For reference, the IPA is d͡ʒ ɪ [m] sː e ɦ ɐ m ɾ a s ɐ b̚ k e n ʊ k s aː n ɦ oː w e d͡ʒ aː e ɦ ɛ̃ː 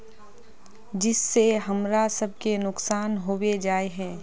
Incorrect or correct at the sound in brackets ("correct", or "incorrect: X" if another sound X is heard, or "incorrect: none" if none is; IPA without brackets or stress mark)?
incorrect: none